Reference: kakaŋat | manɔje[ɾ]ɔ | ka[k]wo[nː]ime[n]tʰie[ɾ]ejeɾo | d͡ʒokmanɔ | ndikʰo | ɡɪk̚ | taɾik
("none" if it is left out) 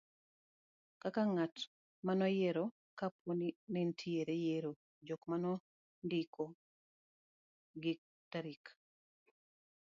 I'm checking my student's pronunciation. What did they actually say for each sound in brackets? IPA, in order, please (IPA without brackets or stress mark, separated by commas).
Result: ɾ, p, n, n, ɾ